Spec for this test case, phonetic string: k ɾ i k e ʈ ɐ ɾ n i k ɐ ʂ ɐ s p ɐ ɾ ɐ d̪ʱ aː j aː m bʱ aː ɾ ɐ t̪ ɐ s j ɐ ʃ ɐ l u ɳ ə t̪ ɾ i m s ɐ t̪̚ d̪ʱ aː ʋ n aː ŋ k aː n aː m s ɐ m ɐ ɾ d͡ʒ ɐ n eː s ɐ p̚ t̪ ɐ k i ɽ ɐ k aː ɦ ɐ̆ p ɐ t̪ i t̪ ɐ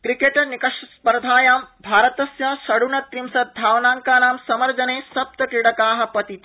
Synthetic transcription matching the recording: k ɾ i k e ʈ ɐ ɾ n i k ɐ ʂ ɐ s p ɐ ɾ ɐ d̪ʱ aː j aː m bʱ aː ɾ ɐ t̪ ɐ s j ɐ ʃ ɐ ɽ u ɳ ɐ t̪ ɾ i m s ɐ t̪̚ d̪ʱ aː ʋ n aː ŋ k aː n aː m s ɐ m ɐ ɾ d͡ʒ ɐ n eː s ɐ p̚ t̪ ɐ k i ɽ ɐ k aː ɦ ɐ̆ p ɐ t̪ i t̪ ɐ